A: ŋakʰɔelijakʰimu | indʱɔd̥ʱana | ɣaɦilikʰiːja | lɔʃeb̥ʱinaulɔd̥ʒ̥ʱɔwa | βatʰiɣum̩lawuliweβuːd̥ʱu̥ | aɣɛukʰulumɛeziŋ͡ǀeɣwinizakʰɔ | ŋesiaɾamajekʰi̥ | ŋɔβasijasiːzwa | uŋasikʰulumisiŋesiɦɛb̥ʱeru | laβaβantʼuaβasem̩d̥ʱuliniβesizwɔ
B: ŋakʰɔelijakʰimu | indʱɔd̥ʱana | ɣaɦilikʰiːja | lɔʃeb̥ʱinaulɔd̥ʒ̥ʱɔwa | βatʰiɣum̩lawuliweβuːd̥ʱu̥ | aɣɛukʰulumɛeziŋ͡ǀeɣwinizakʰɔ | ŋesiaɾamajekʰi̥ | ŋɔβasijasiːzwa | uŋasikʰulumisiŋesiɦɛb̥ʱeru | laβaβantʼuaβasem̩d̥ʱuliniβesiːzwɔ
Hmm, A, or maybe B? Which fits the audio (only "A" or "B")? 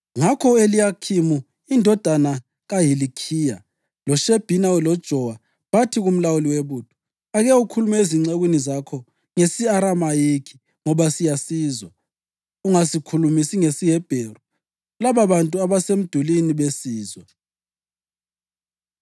B